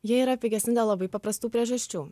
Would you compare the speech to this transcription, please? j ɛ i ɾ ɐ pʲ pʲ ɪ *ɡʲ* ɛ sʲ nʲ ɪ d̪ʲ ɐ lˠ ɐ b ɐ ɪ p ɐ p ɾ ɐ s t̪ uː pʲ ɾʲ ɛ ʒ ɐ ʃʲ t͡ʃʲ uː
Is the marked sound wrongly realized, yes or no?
no